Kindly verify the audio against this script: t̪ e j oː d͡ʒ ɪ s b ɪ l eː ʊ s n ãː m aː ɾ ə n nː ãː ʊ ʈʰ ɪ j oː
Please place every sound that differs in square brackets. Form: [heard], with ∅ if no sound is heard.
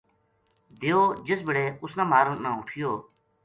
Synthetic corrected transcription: [d̪] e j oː d͡ʒ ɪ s b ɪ [ɽ] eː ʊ s n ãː m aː ɾ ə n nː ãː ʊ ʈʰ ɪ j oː